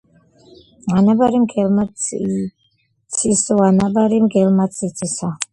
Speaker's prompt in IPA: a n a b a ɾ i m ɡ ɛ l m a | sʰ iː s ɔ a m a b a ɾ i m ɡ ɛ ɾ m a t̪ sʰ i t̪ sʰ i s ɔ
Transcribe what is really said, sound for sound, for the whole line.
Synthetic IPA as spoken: a n a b a ɾ i m ɡ ɛ l m a | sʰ i s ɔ a n a b a ɾ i m ɡ ɛ l m a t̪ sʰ i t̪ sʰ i s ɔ